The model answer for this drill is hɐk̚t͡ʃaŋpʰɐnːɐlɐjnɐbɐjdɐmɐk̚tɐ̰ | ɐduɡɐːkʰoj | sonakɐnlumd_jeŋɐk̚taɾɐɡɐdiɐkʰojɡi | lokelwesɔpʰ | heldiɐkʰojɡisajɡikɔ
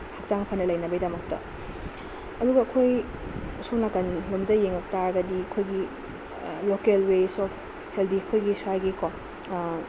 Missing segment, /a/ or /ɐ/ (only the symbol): ɐ